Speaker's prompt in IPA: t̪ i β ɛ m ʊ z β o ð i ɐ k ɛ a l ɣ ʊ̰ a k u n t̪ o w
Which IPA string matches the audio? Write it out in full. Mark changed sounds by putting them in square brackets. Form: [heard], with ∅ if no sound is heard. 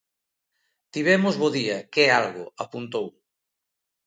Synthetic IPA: t̪ i β ɛ m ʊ z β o ð i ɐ k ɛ a l ɣ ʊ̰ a [p] u n t̪ o w